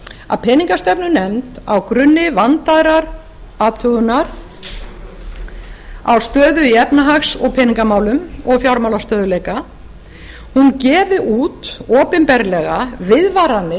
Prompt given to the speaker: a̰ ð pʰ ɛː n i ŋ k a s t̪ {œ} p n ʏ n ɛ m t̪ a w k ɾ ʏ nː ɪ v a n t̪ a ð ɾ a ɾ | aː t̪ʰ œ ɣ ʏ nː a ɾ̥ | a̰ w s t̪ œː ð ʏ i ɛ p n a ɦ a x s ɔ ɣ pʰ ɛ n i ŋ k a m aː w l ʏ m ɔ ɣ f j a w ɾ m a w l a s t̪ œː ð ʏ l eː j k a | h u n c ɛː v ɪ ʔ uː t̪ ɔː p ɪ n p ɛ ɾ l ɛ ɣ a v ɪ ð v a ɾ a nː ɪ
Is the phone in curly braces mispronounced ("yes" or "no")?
yes